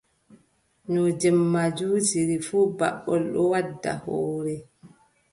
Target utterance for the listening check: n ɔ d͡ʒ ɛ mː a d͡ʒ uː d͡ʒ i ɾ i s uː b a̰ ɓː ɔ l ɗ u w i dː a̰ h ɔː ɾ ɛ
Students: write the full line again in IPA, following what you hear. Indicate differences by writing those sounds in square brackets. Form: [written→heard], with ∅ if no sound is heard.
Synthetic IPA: n ɔ d͡ʒ ɛ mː a d͡ʒ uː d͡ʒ i ɾ i [s→f] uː b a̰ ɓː ɔ l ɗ [u→ɔ] w [i→a] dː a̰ h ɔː ɾ ɛ

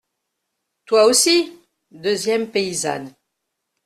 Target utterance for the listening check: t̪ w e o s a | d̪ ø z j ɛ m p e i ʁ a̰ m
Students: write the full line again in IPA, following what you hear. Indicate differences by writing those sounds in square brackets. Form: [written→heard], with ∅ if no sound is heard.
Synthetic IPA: t̪ w [e→a] o s [a→i] | d̪ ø z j ɛ m p e i [ʁ→z] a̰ [m→n]

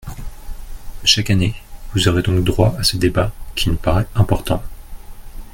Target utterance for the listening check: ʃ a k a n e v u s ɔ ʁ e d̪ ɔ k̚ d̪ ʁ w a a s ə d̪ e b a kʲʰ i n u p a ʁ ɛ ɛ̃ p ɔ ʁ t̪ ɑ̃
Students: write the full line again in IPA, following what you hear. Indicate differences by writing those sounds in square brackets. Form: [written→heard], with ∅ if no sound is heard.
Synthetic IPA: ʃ a k a n e v u [s→z] ɔ ʁ e d̪ [ɔ→ɔ̃] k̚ d̪ ʁ w a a s ə d̪ e b a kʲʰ i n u p a ʁ ɛ ɛ̃ p ɔ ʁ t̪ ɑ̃

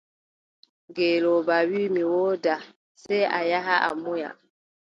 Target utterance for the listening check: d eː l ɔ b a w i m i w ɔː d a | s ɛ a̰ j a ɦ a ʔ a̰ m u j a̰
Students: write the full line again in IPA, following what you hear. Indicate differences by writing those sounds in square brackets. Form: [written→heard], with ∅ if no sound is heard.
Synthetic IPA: [d→ɡ] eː l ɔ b a w i m i w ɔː d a | s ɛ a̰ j a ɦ a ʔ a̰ m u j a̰

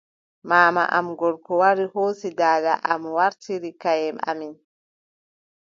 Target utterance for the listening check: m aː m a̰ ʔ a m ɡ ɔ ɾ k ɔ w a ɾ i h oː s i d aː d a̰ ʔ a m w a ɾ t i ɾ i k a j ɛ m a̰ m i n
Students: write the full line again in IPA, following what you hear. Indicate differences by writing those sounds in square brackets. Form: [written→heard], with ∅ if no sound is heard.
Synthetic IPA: m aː m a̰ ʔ a m ɡ ɔ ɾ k ɔ w a ɾ i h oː s i d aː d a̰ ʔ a m w a ɾ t i ɾ i k a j ɛ m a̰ m i n

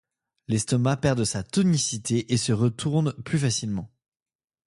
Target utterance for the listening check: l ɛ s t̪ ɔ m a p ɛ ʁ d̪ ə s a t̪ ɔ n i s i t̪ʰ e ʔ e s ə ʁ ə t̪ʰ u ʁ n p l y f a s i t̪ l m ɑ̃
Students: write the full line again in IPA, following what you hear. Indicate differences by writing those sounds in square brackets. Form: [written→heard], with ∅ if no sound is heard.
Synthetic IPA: l ɛ s t̪ ɔ m a p ɛ ʁ d̪ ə s a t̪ ɔ n i s i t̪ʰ e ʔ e s ə ʁ ə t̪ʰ u ʁ n p l y f a s i [t̪→∅] l m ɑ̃

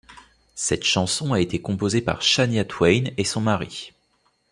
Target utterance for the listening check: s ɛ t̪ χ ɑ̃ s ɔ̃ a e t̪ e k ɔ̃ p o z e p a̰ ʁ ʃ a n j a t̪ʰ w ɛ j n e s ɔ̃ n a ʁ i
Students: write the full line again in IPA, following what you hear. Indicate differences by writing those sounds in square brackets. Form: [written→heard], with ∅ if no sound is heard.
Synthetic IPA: s ɛ t̪ [χ→ʃ] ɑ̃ s ɔ̃ a e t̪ e k ɔ̃ p o z e p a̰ ʁ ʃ a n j a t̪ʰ w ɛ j n e s ɔ̃ [n→m] a ʁ i

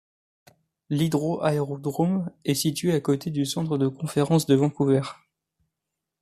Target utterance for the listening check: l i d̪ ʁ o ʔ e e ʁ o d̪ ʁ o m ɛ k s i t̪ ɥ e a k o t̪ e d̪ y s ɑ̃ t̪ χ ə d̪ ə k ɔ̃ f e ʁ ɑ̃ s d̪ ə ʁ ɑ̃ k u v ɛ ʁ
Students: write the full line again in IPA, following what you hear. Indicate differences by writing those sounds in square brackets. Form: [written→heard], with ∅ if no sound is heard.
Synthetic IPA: l i d̪ ʁ o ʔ [e→a] e ʁ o d̪ ʁ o m ɛ [k→∅] s i t̪ ɥ e a k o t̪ e d̪ y s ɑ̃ t̪ χ ə d̪ ə k ɔ̃ f e ʁ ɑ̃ s d̪ ə [ʁ→v] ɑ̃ k u v ɛ ʁ

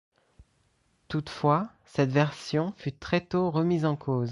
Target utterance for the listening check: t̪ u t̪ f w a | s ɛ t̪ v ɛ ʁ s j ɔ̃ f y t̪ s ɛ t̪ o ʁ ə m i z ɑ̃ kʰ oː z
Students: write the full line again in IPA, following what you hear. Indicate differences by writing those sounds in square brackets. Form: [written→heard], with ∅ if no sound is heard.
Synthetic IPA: t̪ u t̪ f w a | s ɛ t̪ v ɛ ʁ s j ɔ̃ f y t̪ [s→χ] ɛ t̪ o ʁ ə m i z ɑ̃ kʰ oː z

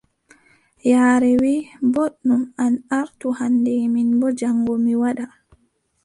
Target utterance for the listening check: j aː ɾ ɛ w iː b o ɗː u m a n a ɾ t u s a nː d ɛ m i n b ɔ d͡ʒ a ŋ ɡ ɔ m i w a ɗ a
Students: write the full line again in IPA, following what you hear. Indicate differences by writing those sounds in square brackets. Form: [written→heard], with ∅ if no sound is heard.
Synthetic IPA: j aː ɾ ɛ w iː b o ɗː u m a n a ɾ t u [s→h] a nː d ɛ m i n b ɔ d͡ʒ a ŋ ɡ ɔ m i w a ɗ a

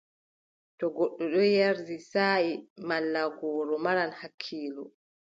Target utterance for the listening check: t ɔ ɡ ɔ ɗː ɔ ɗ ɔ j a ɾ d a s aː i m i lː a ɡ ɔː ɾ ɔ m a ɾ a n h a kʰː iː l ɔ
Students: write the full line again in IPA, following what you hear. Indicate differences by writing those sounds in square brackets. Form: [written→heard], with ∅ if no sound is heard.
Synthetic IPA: t ɔ ɡ ɔ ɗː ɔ ɗ ɔ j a ɾ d [a→i] s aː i m [i→a] lː a ɡ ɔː ɾ ɔ m a ɾ a n h a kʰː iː l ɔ

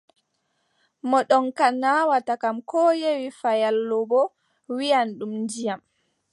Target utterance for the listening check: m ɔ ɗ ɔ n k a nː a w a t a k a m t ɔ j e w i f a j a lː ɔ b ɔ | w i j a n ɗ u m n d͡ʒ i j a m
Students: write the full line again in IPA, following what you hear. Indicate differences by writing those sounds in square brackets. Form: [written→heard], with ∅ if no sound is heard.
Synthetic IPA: m ɔ ɗ ɔ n k a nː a w a t a k a m [t→k] ɔ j e w i f a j a lː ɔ b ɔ | w i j a n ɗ u m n d͡ʒ i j a m

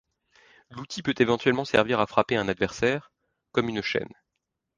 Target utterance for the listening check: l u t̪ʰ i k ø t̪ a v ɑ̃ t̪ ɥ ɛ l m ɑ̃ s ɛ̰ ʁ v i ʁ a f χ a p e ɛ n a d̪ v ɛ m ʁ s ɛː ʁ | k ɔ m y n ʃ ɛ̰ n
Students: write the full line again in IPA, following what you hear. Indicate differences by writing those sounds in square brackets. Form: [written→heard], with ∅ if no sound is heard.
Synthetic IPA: l u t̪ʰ i [k→p] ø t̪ [a→e] v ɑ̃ t̪ ɥ ɛ l m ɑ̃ s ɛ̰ ʁ v i ʁ a f χ a p e [ɛ→ɛ̃] n a d̪ v ɛ [m→∅] ʁ s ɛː ʁ | k ɔ m y n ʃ ɛ̰ n

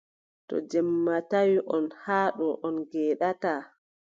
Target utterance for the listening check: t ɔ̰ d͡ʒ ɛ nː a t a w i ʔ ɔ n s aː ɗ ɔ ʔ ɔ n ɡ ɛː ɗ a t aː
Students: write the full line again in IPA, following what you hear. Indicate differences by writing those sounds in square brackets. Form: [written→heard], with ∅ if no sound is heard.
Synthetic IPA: t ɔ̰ d͡ʒ ɛ [nː→mː] a t a w i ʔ ɔ n [s→h] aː ɗ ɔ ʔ ɔ n ɡ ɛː ɗ a t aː

